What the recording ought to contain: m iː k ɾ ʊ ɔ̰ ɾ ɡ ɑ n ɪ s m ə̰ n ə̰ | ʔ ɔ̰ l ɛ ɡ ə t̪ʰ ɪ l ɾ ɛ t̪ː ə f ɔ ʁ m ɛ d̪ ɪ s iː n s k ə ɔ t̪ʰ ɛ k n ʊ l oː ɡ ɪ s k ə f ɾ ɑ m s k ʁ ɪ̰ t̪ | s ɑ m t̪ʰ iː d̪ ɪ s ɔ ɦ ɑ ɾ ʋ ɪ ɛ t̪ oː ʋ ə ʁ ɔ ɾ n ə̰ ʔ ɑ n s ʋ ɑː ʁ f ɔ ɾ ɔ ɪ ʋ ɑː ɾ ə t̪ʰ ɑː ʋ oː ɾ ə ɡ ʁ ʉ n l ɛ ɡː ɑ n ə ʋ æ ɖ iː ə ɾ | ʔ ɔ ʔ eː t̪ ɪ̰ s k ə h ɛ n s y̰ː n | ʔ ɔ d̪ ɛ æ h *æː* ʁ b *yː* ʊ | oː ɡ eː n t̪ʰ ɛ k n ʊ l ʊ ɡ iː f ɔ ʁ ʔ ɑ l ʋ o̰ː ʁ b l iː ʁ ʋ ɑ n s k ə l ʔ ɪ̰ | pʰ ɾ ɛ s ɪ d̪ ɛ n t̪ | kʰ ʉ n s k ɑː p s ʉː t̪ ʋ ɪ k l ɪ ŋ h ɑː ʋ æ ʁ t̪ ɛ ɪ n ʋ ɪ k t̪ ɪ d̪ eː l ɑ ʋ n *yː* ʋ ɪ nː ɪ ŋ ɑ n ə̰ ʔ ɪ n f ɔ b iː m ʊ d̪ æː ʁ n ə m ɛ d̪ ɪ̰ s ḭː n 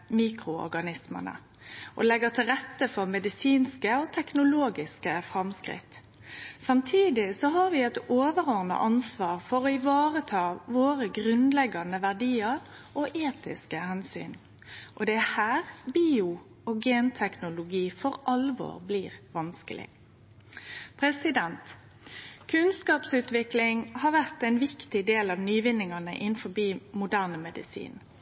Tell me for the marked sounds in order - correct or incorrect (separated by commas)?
correct, incorrect, correct